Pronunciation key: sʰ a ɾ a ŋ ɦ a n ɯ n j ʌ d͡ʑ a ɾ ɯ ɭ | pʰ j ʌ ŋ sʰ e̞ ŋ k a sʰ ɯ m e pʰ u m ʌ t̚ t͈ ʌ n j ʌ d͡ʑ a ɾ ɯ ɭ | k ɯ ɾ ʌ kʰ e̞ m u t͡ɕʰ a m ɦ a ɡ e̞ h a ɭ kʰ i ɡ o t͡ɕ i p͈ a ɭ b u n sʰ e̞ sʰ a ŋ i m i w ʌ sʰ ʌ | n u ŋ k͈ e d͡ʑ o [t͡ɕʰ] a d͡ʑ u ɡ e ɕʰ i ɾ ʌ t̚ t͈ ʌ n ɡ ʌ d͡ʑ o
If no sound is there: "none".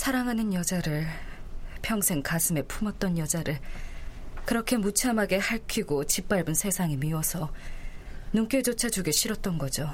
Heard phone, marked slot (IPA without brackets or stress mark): t͡ɕʰ